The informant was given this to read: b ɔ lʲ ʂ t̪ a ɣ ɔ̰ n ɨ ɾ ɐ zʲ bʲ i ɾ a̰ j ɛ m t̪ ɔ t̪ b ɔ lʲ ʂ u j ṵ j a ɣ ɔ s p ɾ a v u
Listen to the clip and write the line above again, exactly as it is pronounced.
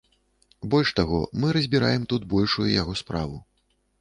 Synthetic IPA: b ɔ lʲ ʂ t̪ a ɣ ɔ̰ m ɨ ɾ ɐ zʲ bʲ i ɾ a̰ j ɛ m t̪ u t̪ b ɔ lʲ ʂ u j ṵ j a ɣ ɔ s p ɾ a v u